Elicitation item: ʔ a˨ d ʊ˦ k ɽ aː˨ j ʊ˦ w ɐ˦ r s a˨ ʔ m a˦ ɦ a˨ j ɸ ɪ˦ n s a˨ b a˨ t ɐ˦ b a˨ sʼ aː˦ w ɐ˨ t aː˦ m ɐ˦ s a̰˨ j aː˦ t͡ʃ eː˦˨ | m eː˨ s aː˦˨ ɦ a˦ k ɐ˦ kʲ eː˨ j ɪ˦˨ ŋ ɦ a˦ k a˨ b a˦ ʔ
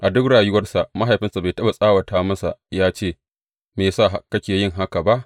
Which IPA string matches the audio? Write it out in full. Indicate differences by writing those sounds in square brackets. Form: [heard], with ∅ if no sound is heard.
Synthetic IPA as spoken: ʔ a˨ d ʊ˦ k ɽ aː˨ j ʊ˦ w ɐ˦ r s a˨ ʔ m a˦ ɦ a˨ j ɸ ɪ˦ n s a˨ b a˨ t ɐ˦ b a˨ sʼ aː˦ w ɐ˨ t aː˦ m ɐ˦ s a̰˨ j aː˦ t͡ʃ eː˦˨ | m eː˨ s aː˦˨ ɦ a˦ k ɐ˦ kʲ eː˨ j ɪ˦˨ ŋ ɦ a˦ k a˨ b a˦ ʔ